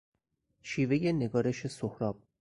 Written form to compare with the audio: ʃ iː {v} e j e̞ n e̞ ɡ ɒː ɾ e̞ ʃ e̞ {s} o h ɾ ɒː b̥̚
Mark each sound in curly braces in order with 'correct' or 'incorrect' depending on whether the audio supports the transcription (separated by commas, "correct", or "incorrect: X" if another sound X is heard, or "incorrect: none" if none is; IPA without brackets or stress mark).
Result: correct, correct